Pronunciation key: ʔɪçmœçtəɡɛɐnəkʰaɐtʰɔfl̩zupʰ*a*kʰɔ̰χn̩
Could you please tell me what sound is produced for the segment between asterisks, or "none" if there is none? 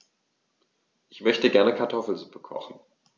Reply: ə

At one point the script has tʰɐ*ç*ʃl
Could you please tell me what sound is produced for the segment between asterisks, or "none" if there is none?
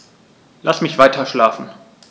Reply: none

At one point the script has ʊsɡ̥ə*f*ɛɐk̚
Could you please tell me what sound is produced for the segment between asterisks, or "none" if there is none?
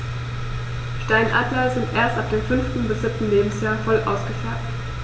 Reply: f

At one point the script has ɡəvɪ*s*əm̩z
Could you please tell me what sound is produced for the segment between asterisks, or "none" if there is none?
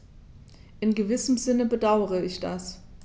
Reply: s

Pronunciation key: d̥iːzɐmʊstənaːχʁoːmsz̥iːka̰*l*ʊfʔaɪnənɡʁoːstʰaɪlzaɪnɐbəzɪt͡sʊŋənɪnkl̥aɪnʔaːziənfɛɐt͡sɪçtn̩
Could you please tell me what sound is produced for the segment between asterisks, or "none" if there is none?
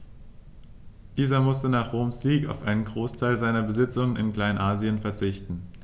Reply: none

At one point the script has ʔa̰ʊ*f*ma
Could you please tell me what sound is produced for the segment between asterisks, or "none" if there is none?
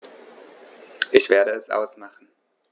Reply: s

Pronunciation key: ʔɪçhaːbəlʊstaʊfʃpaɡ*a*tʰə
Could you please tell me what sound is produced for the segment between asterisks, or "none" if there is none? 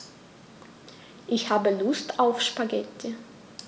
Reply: ɛ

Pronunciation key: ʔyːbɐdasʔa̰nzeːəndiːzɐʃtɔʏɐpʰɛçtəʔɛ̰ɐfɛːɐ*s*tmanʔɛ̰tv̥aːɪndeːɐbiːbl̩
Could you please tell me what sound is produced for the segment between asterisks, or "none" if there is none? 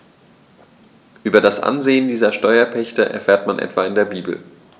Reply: none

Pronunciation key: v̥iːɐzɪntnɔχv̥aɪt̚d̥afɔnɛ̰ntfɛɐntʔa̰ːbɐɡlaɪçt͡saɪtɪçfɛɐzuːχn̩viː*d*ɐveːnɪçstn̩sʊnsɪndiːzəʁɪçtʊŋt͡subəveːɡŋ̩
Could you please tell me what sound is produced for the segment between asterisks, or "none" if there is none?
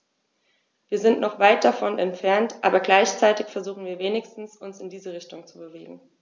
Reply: none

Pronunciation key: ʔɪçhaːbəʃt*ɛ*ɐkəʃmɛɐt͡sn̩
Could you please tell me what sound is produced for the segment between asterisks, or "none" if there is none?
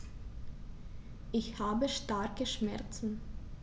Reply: a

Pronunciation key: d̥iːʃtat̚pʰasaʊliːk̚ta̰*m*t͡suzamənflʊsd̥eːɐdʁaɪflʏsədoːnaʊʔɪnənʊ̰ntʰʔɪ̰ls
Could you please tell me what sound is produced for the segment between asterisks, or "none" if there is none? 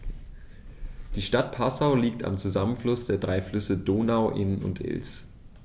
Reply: m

